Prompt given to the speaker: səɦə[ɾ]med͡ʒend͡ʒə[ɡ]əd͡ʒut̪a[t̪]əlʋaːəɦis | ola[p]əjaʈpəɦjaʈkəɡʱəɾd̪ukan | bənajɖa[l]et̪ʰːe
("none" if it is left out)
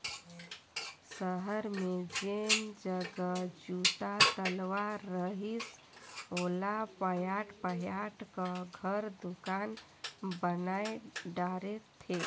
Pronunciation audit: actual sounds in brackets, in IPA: ɾ, ɡ, t̪, p, ɾ

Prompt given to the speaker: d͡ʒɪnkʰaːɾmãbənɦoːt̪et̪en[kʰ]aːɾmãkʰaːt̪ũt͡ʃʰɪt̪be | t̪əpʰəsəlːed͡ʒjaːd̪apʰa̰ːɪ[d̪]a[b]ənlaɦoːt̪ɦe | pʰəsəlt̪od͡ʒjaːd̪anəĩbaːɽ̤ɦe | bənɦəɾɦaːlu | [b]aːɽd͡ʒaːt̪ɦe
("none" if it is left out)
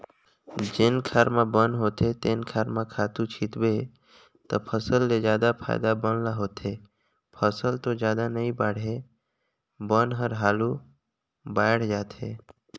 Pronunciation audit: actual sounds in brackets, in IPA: kʰ, d̪, b, b

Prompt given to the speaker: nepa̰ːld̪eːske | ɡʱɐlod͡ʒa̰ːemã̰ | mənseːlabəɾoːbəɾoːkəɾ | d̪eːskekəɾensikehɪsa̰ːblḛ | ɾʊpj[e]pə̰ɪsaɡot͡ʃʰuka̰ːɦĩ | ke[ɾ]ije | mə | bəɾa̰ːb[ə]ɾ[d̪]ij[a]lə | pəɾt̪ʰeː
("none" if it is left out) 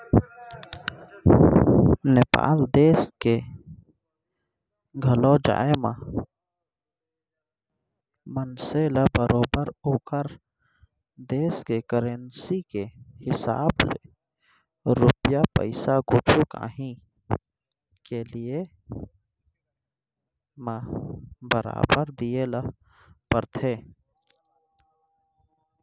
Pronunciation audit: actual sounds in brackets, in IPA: a, l, ə, d̪, e

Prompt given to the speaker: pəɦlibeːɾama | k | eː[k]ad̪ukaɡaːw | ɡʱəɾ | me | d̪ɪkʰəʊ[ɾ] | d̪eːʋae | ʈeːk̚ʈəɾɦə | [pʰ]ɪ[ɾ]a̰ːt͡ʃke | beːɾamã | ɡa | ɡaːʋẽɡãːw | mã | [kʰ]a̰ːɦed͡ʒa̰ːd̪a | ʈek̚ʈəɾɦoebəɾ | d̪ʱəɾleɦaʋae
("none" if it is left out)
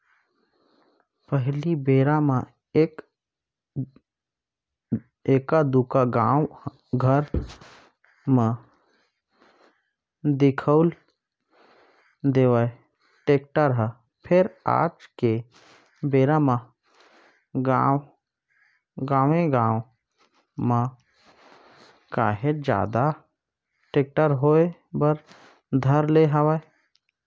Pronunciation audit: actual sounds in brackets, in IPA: k, l, pʰ, ɾ, k

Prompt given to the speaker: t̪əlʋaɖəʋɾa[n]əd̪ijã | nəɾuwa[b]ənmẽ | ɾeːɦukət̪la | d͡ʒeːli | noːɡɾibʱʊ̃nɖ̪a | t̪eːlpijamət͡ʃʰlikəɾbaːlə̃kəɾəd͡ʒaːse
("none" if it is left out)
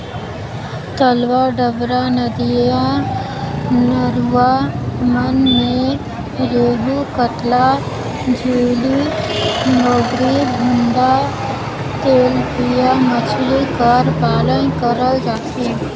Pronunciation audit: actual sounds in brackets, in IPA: n, m

